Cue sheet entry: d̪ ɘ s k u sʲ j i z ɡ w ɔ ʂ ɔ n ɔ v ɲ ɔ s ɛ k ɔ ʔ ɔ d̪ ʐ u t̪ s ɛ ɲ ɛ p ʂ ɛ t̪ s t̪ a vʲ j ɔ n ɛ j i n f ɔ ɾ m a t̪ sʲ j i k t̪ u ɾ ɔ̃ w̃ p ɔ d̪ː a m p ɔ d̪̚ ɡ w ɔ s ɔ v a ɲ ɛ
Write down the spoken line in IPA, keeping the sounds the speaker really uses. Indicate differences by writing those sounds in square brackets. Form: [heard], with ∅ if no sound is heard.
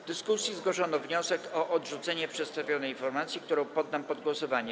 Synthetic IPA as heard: d̪ ɘ s k u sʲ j i z ɡ w ɔ ʂ ɔ n ɔ v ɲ ɔ s ɛ k ɔ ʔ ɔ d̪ ʐ u t̪ s ɛ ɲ ɛ p ʂ ɛ t̪ s t̪ a vʲ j ɔ n ɛ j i n f ɔ ɾ m a t̪ sʲ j i k t̪ u ɾ ɔ̃ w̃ p ɔ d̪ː a m p ɔ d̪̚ ɡ w ɔ s ɔ v a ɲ ɛ